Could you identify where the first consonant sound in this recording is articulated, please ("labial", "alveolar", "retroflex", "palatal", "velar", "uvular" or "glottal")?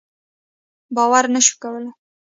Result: labial